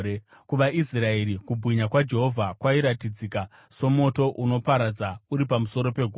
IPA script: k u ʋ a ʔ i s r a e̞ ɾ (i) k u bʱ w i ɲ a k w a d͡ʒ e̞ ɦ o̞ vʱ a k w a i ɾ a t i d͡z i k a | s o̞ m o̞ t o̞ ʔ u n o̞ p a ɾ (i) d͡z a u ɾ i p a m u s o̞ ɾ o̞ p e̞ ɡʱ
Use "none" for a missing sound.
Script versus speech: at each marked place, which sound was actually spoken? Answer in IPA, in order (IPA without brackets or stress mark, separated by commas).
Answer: i, a